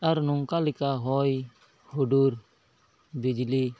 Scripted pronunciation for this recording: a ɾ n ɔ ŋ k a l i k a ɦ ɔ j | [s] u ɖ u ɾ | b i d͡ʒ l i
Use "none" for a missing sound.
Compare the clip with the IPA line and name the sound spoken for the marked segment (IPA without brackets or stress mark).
h